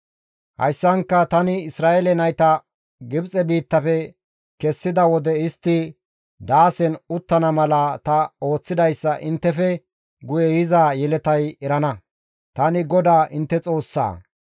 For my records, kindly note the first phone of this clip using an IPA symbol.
h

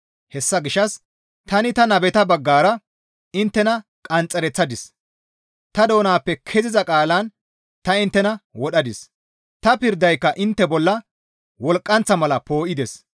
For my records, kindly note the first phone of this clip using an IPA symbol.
h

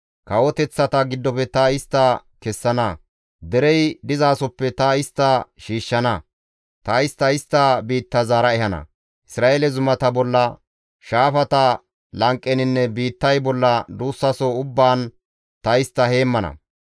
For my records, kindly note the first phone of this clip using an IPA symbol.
k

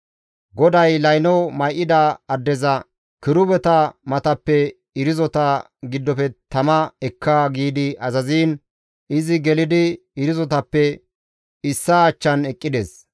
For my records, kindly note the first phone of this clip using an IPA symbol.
ɡ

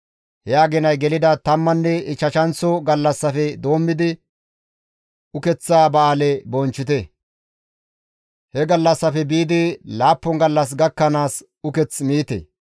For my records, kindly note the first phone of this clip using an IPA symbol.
h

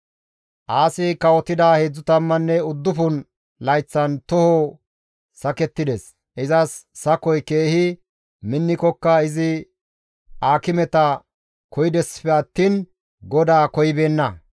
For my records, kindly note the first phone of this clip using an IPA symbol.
ʔ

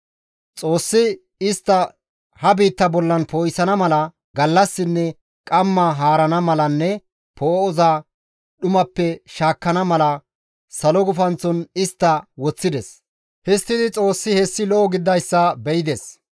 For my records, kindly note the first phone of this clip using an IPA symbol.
t͡sʼ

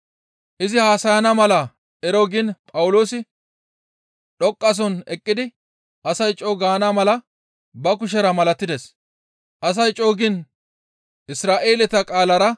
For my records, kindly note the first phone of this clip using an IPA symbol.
ʔ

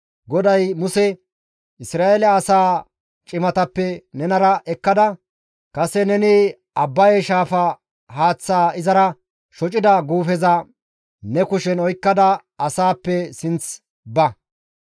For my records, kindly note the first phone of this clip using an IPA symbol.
ɡ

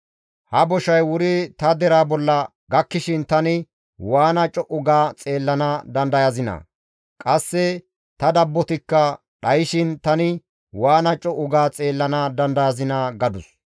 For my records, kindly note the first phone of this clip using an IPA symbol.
h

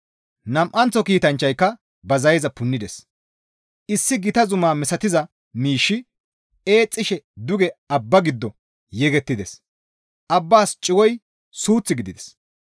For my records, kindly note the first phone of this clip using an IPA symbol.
n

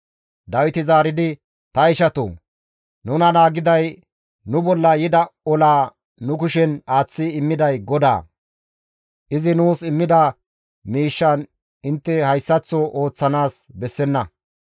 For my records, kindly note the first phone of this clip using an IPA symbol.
d̪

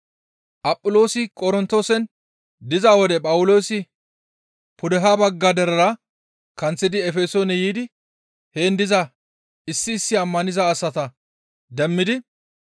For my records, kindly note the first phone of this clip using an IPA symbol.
ʔ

